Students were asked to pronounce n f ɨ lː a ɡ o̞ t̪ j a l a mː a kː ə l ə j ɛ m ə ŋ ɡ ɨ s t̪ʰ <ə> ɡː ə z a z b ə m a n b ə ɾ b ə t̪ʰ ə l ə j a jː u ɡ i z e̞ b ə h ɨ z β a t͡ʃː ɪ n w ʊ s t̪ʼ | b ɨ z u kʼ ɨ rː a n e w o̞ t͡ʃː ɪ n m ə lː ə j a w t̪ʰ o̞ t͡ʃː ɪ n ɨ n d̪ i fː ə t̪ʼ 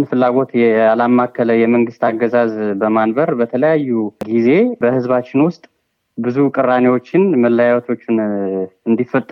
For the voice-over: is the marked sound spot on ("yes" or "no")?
no